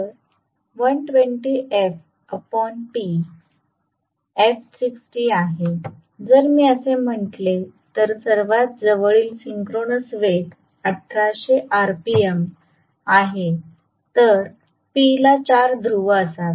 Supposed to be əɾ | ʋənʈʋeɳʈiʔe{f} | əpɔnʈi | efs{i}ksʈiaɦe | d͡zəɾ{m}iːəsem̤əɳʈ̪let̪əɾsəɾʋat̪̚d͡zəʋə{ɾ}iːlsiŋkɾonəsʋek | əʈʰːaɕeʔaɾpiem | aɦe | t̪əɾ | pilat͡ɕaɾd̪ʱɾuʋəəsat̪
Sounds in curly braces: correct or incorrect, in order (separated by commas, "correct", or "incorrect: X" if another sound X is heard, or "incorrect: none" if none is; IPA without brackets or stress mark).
correct, correct, correct, incorrect: ɭ